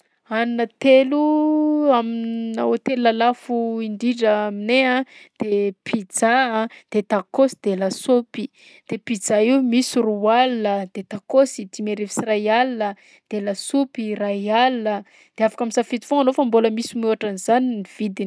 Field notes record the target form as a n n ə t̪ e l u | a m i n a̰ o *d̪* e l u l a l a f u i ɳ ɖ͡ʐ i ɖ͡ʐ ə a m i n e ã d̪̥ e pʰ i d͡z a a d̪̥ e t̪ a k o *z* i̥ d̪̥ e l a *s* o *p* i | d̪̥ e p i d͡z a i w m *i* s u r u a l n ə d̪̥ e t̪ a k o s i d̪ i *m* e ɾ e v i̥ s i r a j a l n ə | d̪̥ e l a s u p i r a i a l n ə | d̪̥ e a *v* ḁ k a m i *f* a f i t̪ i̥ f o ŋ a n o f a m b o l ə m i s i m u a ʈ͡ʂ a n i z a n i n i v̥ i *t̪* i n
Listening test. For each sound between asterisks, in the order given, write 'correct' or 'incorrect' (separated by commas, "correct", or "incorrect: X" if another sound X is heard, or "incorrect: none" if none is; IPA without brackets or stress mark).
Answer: incorrect: t̪, incorrect: s, correct, correct, correct, correct, incorrect: f, incorrect: s, incorrect: d̪